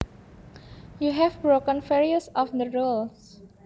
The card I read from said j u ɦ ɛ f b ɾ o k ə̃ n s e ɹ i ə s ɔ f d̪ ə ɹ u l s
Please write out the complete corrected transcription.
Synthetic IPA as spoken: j u ɦ ɛ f b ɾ o k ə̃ n f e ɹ i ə s ɔ f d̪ ə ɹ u l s